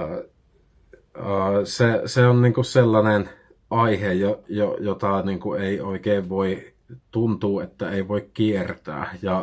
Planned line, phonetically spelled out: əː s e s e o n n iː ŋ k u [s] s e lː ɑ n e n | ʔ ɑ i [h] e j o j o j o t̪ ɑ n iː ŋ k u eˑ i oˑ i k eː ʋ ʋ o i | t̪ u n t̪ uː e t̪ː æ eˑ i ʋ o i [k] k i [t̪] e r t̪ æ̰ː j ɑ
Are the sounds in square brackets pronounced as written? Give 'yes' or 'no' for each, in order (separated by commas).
yes, yes, yes, no